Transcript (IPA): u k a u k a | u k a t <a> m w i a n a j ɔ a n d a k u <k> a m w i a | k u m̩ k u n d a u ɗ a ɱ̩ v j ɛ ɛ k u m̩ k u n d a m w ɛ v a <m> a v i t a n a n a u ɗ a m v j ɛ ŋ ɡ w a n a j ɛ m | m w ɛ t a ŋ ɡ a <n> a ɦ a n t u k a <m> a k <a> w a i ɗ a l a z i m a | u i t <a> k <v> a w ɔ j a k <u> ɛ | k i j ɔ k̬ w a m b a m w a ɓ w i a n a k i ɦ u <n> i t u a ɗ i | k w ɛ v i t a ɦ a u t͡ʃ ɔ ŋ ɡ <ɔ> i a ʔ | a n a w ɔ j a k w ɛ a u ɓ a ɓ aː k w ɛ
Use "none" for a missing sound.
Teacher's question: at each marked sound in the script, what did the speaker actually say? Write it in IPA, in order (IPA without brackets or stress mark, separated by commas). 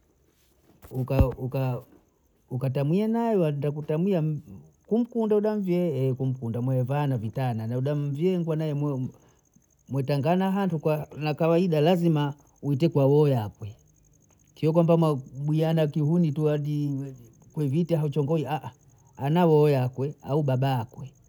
a, t, n, n, n, a, ɛ, w, w, n, ɔ